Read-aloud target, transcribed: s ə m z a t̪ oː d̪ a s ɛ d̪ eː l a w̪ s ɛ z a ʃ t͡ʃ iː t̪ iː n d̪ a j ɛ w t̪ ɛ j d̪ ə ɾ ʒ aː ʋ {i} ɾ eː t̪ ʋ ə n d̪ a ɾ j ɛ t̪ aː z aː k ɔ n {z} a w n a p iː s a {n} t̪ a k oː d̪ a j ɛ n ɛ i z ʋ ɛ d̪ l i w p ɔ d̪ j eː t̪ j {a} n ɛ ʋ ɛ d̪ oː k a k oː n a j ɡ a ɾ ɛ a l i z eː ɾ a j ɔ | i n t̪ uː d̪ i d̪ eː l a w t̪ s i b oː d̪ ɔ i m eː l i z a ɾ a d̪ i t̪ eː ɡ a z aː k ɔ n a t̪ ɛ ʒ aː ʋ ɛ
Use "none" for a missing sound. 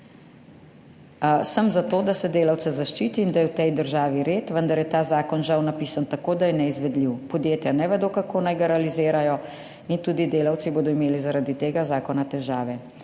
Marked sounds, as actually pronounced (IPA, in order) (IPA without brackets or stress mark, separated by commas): i, ʒ, n, a